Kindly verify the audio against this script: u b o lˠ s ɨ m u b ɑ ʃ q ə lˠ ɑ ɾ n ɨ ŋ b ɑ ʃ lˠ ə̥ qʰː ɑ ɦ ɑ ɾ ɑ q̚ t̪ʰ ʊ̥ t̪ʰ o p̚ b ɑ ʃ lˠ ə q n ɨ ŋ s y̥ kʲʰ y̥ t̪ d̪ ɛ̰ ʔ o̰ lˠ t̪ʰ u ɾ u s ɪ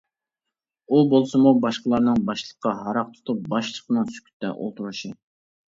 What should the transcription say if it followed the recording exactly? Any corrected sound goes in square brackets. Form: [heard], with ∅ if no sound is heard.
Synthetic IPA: u b o lˠ s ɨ m u b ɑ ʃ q ə lˠ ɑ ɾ n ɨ ŋ b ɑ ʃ lˠ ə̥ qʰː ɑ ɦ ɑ ɾ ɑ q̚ t̪ʰ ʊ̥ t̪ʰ [u] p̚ b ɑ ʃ lˠ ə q n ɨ ŋ s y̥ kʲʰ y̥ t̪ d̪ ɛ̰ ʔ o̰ lˠ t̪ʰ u ɾ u [ʃ] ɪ